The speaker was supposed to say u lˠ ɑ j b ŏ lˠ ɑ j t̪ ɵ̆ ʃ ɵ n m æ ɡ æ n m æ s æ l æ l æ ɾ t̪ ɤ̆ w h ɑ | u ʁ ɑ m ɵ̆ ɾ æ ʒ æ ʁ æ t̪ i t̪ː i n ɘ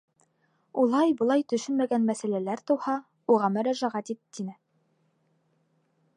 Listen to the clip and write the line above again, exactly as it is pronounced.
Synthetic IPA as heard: u lˠ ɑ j b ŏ lˠ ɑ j t̪ ɵ̆ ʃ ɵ n m æ ɡ æ n m æ s æ l æ l æ ɾ t̪ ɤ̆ w h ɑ | u ʁ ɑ m ɵ̆ ɾ æ ʒ æ ʁ æ t̪ i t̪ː i n ɘ